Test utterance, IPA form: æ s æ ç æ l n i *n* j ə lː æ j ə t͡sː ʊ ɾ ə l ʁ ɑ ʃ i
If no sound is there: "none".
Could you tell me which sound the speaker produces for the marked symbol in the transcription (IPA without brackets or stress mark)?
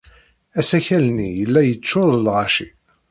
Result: none